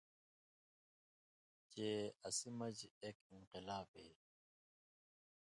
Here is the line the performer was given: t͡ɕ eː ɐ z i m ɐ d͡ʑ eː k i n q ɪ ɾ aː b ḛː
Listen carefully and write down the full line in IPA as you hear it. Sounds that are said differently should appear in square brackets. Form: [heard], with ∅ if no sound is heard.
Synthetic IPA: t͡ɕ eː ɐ [s] i m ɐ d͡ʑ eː k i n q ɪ [l] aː b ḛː